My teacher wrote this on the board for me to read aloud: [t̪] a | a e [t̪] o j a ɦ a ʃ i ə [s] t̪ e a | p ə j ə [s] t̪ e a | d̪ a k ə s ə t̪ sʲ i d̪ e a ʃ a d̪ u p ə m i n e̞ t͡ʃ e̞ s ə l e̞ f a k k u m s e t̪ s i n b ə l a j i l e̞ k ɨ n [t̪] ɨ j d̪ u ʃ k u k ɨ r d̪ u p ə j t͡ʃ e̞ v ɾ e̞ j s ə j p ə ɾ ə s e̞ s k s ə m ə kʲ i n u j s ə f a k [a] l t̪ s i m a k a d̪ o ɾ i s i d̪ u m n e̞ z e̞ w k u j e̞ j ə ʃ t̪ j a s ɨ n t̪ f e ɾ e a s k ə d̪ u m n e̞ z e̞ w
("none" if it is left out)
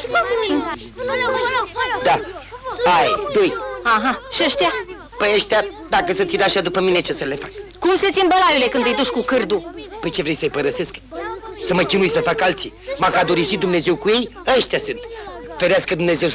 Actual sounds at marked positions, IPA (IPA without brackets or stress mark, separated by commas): d̪, d̪, ʃ, ʃ, d̪, a